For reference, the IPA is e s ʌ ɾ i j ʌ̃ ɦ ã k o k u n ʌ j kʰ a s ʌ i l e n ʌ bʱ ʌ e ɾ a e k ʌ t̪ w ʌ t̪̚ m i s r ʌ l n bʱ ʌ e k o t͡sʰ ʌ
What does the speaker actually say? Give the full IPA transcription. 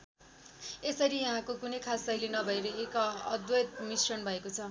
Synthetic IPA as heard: e s ʌ ɾ i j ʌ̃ ɦ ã k o k u n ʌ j kʰ a s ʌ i l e n ʌ bʱ ʌ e ɾ ʌ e k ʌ d̪ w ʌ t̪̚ m i s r ʌ n bʱ ʌ e k o t͡sʰ ʌ